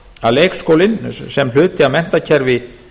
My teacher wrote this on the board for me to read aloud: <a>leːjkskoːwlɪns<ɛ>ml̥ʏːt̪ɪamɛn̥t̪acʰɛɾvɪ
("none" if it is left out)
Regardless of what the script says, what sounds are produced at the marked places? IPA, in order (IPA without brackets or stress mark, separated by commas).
a, ɛ